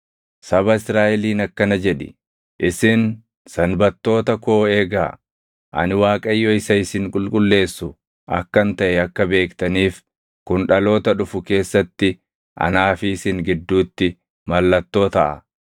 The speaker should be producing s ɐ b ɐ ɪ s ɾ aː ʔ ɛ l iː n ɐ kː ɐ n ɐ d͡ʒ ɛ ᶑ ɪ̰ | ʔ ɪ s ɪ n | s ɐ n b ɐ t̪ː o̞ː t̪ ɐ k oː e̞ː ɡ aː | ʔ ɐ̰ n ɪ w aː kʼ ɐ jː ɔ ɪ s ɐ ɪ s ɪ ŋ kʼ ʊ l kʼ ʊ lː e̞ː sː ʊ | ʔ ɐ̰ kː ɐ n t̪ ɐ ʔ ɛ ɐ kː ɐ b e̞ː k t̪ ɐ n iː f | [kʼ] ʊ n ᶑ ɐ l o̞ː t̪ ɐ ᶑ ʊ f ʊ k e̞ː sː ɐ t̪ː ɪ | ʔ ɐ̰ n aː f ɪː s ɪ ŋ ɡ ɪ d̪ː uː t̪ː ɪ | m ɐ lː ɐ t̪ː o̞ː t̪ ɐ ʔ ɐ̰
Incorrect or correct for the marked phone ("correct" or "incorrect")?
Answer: incorrect